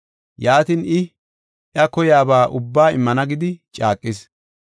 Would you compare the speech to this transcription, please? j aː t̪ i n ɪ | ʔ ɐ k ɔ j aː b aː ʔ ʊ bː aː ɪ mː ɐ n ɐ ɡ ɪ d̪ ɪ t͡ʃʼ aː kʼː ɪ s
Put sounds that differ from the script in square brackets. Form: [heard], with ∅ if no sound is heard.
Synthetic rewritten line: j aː t̪ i n ɪ | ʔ ɐ k ɔ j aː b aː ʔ ʊ bː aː ɪ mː ɐ n ɐ ɡ ɪ d̪ ɪ t͡ʃʼ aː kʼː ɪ s